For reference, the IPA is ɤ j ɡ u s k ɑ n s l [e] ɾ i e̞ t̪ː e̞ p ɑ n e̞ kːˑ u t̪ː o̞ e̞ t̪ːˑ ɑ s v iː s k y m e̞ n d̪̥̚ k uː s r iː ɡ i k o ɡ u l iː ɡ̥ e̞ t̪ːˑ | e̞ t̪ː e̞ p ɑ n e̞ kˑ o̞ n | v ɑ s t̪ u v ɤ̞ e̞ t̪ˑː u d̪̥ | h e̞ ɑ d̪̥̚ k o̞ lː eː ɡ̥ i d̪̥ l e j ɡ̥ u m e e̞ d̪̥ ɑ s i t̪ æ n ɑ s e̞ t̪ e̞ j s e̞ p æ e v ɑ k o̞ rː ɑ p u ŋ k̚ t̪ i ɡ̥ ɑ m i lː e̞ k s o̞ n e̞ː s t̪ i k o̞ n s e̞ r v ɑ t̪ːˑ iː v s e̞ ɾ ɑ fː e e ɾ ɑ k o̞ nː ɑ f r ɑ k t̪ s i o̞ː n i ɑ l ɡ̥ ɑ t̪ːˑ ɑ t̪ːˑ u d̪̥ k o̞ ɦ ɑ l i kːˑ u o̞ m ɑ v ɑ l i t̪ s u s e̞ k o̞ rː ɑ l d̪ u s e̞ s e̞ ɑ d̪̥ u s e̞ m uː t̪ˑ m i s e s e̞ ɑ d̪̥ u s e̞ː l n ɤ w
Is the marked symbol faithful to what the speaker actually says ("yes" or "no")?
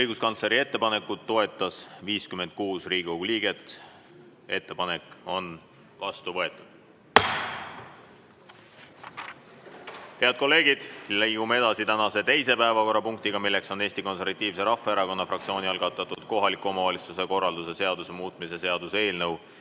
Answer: yes